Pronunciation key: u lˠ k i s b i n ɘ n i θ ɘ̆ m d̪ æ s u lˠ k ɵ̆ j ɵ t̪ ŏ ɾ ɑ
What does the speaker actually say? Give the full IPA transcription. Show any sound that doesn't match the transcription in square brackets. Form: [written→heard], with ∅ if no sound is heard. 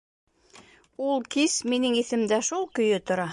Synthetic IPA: u lˠ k i s [b→m] i n ɘ [n→ŋ] i θ ɘ̆ m d̪ æ [s→ʃ] u lˠ k ɵ̆ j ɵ t̪ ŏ ɾ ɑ